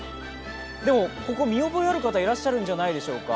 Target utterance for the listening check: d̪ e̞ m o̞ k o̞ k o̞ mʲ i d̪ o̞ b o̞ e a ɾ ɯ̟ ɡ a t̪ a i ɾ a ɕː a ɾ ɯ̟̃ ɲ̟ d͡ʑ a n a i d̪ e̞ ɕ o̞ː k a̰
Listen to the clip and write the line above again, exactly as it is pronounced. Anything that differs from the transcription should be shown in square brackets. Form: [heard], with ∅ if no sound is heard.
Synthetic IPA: d̪ e̞ m o̞ k o̞ k o̞ mʲ i [∅] o̞ b o̞ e a ɾ ɯ̟ [k] a t̪ a i ɾ a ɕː a ɾ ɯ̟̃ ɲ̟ d͡ʑ a n a i d̪ e̞ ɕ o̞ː k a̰